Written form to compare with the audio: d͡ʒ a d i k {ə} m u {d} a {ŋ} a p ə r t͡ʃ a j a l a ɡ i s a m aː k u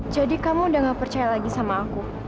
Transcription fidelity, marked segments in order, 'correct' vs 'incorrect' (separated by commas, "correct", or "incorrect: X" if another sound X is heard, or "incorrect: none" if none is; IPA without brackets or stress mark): incorrect: a, correct, correct